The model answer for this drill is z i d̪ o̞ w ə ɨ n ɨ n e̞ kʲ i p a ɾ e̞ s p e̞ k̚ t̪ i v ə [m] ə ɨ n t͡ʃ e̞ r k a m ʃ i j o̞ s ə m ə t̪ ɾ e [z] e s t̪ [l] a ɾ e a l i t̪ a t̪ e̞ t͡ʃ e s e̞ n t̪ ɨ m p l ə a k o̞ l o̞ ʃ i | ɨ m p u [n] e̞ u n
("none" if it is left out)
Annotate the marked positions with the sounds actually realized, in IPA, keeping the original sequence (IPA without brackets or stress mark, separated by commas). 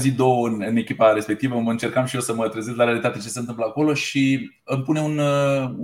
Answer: m, z, l, n